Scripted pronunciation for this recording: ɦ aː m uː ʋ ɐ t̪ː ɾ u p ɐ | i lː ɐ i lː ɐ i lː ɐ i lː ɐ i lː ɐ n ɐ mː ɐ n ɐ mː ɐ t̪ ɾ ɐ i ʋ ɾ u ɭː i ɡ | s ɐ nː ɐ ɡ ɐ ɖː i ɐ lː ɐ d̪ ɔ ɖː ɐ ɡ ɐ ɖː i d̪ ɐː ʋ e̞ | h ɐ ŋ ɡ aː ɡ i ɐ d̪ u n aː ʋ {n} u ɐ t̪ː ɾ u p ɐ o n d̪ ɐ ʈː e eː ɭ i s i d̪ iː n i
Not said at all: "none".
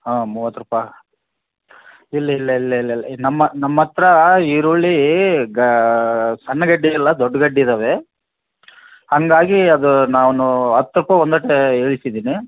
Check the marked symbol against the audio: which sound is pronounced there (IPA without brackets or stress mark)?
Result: n